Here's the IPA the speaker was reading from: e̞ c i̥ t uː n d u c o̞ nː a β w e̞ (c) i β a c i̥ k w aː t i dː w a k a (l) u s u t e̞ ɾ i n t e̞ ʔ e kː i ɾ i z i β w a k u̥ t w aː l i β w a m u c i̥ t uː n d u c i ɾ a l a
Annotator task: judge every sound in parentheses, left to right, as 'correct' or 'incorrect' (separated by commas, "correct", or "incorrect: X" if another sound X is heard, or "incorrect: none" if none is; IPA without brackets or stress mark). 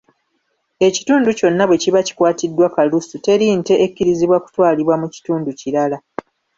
correct, correct